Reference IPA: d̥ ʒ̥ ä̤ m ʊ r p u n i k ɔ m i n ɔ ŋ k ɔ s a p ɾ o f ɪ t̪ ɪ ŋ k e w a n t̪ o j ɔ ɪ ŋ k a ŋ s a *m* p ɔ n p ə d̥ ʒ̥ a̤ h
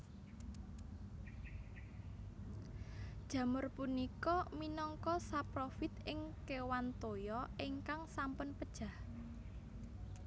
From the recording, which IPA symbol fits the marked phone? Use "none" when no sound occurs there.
m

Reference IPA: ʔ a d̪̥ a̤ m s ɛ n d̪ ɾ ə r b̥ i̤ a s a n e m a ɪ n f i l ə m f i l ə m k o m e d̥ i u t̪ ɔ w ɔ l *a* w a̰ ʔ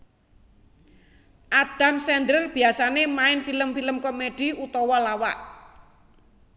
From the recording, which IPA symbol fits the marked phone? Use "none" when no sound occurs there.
a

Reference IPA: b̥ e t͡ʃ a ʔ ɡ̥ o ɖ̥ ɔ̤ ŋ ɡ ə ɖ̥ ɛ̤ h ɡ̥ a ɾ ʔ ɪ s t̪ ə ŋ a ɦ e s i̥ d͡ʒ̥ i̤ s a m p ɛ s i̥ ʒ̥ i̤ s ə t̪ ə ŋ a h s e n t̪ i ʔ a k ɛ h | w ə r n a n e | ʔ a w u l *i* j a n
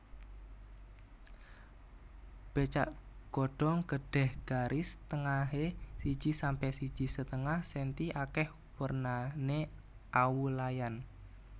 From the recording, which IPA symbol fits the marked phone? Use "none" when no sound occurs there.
a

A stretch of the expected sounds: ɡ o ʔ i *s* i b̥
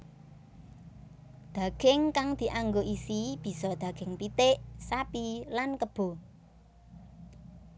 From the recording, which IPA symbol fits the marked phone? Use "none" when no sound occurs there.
s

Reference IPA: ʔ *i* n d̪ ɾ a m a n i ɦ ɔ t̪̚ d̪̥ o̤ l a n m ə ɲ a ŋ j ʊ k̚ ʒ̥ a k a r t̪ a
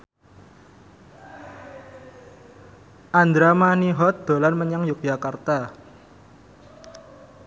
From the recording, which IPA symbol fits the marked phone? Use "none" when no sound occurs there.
a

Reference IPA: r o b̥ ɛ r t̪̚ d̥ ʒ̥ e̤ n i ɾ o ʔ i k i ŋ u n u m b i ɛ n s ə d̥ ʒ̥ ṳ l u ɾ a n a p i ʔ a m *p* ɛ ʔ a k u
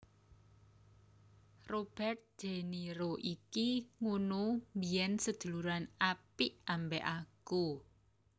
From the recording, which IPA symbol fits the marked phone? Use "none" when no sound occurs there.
b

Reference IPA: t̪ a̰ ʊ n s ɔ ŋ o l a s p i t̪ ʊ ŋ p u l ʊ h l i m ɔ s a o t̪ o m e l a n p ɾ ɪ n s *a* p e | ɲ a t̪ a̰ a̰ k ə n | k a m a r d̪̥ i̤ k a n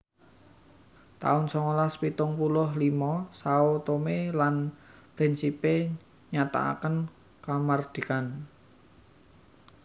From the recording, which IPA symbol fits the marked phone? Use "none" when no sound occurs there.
i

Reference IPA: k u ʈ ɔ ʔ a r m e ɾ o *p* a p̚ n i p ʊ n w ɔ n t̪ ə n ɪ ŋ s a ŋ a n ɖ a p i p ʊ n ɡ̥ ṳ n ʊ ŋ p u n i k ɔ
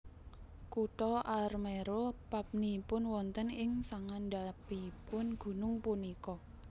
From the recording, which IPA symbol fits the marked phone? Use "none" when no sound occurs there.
p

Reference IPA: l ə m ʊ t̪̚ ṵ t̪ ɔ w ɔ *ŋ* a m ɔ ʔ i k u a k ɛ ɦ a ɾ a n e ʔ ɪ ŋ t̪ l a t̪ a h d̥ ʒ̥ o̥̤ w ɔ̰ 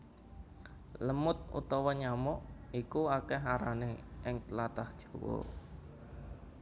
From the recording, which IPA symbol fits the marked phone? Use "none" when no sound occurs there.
ɲ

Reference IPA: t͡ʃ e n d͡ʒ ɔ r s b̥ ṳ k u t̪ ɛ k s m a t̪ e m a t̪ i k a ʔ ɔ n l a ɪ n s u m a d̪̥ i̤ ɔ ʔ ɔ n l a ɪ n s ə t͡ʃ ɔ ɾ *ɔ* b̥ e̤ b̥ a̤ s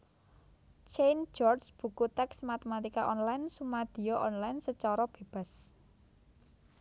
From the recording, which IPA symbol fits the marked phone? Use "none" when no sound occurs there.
ɔ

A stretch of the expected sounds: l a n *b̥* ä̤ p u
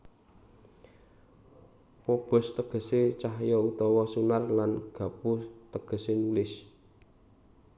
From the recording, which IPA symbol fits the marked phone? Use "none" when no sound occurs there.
ɡ̥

